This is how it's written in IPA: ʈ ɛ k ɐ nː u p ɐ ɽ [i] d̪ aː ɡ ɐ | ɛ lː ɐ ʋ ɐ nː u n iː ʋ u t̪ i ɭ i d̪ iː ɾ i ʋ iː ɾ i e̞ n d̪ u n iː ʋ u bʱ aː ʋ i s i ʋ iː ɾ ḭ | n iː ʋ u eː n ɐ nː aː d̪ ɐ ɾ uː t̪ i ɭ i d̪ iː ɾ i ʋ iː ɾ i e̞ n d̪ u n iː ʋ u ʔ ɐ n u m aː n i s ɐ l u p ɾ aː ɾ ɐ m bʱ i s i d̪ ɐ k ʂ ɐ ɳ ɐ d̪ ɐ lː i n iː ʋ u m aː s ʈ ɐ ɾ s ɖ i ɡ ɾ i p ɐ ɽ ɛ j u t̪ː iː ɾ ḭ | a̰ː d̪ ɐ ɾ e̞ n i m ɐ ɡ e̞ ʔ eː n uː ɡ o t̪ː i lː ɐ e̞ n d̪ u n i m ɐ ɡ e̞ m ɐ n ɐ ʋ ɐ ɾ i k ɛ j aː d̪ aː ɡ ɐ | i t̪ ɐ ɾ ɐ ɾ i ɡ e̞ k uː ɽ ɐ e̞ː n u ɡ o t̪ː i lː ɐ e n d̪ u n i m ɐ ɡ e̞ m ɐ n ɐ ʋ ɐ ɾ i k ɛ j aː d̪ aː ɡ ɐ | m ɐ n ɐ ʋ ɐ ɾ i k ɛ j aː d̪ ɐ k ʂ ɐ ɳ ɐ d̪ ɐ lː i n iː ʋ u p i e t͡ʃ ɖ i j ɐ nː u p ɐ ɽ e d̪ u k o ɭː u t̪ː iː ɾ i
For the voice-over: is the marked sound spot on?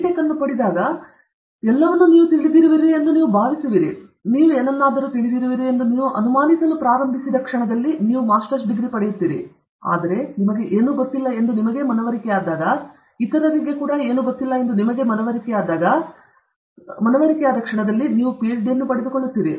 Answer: yes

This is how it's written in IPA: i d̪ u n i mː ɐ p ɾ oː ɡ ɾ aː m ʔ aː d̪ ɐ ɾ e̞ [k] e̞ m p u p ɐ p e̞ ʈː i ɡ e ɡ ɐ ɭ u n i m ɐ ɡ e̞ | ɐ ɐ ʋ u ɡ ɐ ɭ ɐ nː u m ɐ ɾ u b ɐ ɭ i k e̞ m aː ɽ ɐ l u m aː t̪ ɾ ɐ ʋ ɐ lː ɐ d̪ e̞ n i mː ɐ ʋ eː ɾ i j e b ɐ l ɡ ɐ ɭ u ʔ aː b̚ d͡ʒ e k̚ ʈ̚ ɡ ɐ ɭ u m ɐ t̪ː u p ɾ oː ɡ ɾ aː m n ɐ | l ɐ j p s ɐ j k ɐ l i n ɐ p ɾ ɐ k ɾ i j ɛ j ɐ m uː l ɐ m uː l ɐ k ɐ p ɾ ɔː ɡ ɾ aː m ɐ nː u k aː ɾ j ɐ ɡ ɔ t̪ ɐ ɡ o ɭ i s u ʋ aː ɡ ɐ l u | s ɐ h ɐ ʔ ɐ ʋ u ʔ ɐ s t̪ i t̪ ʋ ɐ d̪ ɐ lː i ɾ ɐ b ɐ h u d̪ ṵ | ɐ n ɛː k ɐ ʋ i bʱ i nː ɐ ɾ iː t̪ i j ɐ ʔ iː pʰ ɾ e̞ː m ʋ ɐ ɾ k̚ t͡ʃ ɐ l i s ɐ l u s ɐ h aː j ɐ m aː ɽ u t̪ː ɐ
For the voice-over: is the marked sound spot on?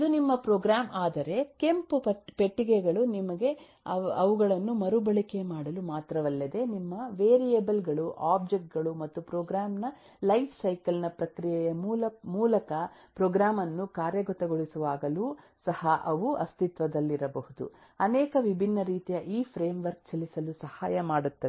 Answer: yes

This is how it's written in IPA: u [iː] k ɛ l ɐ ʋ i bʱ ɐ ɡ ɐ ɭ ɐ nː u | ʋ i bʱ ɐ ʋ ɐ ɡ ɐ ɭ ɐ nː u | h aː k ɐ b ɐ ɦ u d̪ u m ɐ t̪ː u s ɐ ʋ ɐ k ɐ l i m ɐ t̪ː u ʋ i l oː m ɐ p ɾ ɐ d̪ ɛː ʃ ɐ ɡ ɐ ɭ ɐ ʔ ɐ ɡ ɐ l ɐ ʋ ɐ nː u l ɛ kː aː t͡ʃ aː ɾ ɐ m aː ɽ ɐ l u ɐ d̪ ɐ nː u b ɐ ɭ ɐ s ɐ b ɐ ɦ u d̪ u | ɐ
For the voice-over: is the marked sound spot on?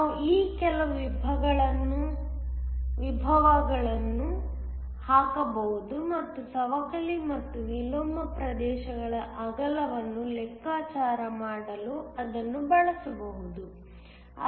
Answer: yes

